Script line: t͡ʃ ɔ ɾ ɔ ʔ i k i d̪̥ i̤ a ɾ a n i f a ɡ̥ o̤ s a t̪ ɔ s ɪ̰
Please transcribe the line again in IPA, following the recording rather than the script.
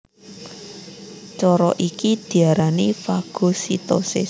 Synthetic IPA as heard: t͡ʃ ɔ ɾ ɔ ʔ i k i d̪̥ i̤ a ɾ a n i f a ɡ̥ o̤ s i t̪ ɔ s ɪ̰